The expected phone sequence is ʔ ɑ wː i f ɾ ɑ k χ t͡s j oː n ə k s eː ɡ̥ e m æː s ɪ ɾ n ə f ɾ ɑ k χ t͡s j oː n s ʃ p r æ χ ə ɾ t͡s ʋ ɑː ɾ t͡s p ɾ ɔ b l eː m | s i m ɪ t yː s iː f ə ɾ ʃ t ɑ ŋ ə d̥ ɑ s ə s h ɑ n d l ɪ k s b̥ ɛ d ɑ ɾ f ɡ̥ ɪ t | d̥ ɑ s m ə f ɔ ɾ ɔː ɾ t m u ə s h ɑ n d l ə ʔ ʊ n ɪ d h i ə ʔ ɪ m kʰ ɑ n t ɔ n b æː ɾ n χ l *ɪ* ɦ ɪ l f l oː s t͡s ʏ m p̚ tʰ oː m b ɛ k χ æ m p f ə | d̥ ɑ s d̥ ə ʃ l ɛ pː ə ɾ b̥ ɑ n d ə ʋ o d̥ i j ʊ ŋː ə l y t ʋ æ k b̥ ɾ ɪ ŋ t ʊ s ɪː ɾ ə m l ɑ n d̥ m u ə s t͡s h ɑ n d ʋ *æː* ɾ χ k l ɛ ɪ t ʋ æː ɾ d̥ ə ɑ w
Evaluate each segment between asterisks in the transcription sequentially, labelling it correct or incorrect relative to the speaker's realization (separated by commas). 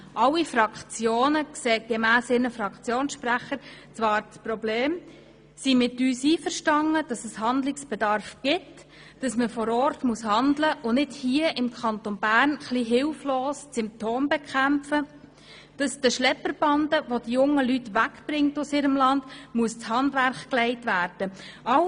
incorrect, incorrect